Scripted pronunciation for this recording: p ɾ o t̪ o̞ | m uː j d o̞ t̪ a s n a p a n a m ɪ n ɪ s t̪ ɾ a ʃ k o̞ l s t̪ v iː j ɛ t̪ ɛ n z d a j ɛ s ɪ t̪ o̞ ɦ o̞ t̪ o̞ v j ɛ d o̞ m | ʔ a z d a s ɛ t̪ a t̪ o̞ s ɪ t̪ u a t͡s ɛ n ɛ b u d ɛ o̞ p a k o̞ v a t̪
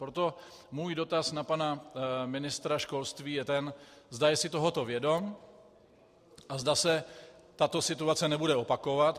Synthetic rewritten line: p ɾ o t̪ o̞ | m uː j d o̞ t̪ a s n a p a n a m ɪ n ɪ s t̪ ɾ a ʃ k o̞ l s t̪ v iː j ɛ t̪ ɛ n z d a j ɛ s ɪ t̪ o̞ ɦ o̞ t̪ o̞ v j ɛ d o̞ m | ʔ a z d a s ɛ t̪ a t̪ o̞ s ɪ t̪ u a t͡s ɛ n ɛ b u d ɛ o̞ p a k o̞ v a t̪

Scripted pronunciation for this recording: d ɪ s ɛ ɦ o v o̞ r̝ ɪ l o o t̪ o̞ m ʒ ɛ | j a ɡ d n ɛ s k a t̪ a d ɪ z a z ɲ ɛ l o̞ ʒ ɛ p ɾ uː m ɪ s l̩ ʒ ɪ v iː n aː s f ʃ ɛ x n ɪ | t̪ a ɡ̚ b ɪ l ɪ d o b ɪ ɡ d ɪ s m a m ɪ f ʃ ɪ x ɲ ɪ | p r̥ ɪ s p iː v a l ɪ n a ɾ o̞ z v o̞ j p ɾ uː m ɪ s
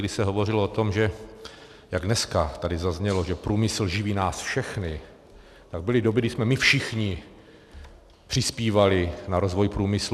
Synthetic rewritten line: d ɪ s ɛ ɦ o v o̞ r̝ ɪ l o o t̪ o̞ m ʒ ɛ | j a ɡ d n ɛ s k a t̪ a d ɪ z a z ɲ ɛ l o̞ ʒ ɛ p ɾ uː m ɪ s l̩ ʒ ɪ v iː n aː s f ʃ ɛ x n ɪ | t̪ a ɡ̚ b ɪ l ɪ d o b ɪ ɡ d ɪ s m ɛ m ɪ f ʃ ɪ x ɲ ɪ | p r̥ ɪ s p iː v a l ɪ n a ɾ o̞ z v o̞ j p ɾ uː m ɪ s

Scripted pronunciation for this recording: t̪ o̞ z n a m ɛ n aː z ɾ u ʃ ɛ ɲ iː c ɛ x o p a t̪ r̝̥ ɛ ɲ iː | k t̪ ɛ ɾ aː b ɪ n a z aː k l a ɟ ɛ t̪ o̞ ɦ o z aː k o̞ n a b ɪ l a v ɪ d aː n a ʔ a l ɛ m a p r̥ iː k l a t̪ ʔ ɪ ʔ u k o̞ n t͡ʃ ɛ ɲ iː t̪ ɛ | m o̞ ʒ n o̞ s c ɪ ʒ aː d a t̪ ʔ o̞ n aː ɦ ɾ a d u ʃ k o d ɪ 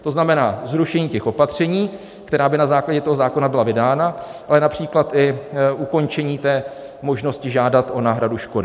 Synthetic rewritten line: t̪ o̞ z n a m ɛ n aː z ɾ u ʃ ɛ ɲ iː c ɛ x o p a t̪ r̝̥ ɛ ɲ iː | k t̪ ɛ ɾ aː b ɪ n a z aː k l a ɟ ɛ t̪ o̞ ɦ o z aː k o̞ n a b ɪ l a v ɪ d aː n a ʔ a l ɛ n a p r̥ iː k l a t̪ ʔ ɪ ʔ u k o̞ n t͡ʃ ɛ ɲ iː t̪ ɛː | m o̞ ʒ n o̞ s c ɪ ʒ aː d a t̪ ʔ o̞ n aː ɦ ɾ a d u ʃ k o d ɪ

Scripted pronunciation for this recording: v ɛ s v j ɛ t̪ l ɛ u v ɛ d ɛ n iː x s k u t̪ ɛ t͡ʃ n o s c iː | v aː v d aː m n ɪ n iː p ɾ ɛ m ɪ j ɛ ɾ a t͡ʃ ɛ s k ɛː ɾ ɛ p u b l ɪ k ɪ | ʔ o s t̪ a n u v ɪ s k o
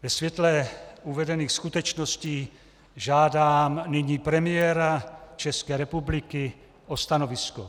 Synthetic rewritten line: v ɛ s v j ɛ t̪ l ɛ u v ɛ d ɛ n iː x s k u t̪ ɛ t͡ʃ n o s c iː | ʒ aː d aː m n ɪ ɲ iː p ɾ ɛ m ɪ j ɛ ɾ a t͡ʃ ɛ s k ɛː ɾ ɛ p u b l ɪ k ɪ | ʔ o s t̪ a n o v ɪ s k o

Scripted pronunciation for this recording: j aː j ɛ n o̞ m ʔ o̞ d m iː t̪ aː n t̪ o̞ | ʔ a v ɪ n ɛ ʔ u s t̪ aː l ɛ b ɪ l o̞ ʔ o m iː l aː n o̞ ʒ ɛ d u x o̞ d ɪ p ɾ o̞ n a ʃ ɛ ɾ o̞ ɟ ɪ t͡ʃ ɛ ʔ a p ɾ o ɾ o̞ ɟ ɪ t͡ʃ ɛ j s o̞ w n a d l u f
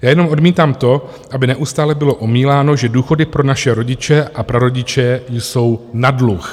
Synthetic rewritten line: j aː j ɛ n o̞ m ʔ o̞ d m iː t̪ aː m t̪ o̞ | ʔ a b ɪ n ɛ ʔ u s t̪ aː l ɛ b ɪ l o̞ ʔ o m iː l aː n o̞ ʒ ɛ d uː x o̞ d ɪ p ɾ o̞ n a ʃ ɛ ɾ o̞ ɟ ɪ t͡ʃ ɛ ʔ a p ɾ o ɾ o̞ ɟ ɪ t͡ʃ ɛ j s o̞ w n a d l u x

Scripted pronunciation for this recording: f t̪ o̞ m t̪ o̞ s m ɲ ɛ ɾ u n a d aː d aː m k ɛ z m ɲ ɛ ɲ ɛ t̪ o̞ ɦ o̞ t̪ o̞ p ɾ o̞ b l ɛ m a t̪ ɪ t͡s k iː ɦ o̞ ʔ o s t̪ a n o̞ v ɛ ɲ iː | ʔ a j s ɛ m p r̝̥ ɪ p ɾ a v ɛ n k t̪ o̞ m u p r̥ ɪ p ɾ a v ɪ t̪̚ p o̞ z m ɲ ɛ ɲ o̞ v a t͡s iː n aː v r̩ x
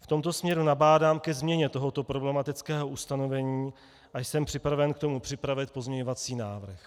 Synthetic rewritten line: f t̪ o̞ m t̪ o̞ s m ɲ ɛ ɾ u n a b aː d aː m k ɛ z m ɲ ɛ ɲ ɛ t̪ o̞ ɦ o̞ t̪ o̞ p ɾ o̞ b l ɛ m a t̪ ɪ t͡s k ɛː ɦ o̞ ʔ u s t̪ a n o̞ v ɛ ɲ iː | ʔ a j s ɛ m p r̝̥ ɪ p ɾ a v ɛ n k t̪ o̞ m u p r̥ ɪ p ɾ a v ɪ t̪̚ p o̞ z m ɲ ɛ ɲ o̞ v a t͡s iː n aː v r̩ x

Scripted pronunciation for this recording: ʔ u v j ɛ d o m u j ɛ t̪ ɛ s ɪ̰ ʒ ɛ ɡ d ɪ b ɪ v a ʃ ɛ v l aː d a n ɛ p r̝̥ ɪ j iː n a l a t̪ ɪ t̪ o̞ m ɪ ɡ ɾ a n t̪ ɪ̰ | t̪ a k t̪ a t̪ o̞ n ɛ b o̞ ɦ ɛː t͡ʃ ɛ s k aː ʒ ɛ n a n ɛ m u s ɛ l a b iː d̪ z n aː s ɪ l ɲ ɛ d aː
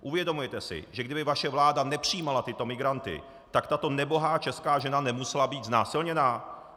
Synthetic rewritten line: ʔ u v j ɛ d o m u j ɛ t̪ ɛ s ɪ̰ ʒ ɛ ɡ d ɪ b ɪ v a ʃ ɛ v l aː d a n ɛ p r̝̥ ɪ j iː m a l a t̪ ɪ t̪ o̞ m ɪ ɡ ɾ a n t̪ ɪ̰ | t̪ a k t̪ a t̪ o̞ n ɛ b o̞ ɦ aː t͡ʃ ɛ s k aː ʒ ɛ n a n ɛ m u s ɛ l a b iː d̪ z n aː s ɪ l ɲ ɛ n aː

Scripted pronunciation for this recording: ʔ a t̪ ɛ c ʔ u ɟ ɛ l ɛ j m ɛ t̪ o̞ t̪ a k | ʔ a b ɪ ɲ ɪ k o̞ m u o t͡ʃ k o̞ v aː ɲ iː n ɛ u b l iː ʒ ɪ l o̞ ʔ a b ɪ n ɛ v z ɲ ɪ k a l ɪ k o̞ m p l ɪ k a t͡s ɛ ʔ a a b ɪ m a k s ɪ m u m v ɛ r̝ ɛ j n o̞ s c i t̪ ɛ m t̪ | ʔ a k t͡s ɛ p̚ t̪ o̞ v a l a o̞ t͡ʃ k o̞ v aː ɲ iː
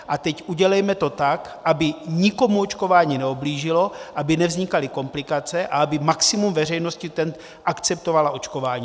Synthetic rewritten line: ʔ a t̪ ɛ c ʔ u ɟ ɛ l ɛ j m ɛ t̪ o̞ t̪ a k | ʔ a b ɪ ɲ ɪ k o̞ m u o t͡ʃ k o̞ v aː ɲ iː n ɛ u b l iː ʒ ɪ l o̞ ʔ a b ɪ n ɛ v z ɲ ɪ k a l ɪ k o̞ m p l ɪ k a t͡s ɛ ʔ a a b ɪ m a k s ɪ m u m v ɛ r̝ ɛ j n o̞ s c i t̪ ɛ n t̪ | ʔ a k t͡s ɛ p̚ t̪ o̞ v a l a o̞ t͡ʃ k o̞ v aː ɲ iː

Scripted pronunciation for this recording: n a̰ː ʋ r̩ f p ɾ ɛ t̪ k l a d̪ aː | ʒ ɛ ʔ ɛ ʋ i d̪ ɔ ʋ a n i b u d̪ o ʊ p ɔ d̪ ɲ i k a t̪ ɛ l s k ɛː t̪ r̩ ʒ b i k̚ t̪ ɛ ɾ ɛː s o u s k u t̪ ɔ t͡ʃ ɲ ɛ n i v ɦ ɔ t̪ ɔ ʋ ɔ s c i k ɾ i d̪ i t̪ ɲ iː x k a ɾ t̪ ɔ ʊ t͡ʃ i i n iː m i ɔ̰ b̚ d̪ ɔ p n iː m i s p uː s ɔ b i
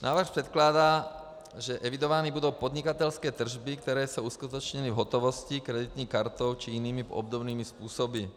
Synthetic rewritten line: n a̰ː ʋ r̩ x p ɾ ɛ t̪ k l a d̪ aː | ʒ ɛ ʔ ɛ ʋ i d̪ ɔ ʋ a n i b u d̪ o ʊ p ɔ d̪ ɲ i k a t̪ ɛ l s k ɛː t̪ r̩ ʒ b i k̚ t̪ ɛ ɾ ɛː s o u s k u t̪ ɔ t͡ʃ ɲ ɛ n i v ɦ ɔ t̪ ɔ ʋ ɔ s c i k ɾ ɛ d̪ i t̪ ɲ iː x k a ɾ t̪ ɔ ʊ t͡ʃ i i n iː m i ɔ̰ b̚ d̪ ɔ b n iː m i s p uː s ɔ b i

